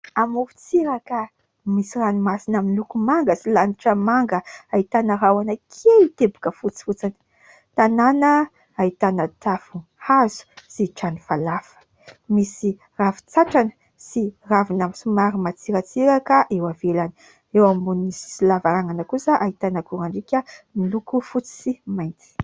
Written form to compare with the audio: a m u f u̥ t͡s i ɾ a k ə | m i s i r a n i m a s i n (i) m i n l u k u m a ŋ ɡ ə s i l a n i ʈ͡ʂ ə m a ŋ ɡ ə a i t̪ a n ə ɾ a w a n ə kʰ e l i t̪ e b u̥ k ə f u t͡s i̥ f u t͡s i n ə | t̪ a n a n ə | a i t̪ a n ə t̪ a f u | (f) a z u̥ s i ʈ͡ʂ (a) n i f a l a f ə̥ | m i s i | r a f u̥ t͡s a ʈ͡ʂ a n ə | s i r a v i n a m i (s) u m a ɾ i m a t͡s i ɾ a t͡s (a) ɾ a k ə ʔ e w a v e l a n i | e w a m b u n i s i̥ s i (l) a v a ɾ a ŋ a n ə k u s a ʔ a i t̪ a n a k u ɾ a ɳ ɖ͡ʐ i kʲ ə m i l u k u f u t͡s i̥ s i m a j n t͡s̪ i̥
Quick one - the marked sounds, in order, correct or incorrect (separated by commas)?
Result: incorrect, incorrect, correct, correct, incorrect, correct